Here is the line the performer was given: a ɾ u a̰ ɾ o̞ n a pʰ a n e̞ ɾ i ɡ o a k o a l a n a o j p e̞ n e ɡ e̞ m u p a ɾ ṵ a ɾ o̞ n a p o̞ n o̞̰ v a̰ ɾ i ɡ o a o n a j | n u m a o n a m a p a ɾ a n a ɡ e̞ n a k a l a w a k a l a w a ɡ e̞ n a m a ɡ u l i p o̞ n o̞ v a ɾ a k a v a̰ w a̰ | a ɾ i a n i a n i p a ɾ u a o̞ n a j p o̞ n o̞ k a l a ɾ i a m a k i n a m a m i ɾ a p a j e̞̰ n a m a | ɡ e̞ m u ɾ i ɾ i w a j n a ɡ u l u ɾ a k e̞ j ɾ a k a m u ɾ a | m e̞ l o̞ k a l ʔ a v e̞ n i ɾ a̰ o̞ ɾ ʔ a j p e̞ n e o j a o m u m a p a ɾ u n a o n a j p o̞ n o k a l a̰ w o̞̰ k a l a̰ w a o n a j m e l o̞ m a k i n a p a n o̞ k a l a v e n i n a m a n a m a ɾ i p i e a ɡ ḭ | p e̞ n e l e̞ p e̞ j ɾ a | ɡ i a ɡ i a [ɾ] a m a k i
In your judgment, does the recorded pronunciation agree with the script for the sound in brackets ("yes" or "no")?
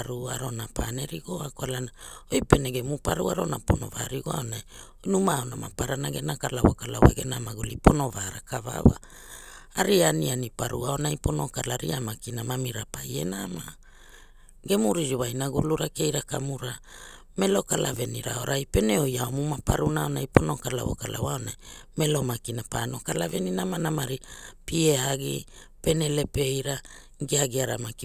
yes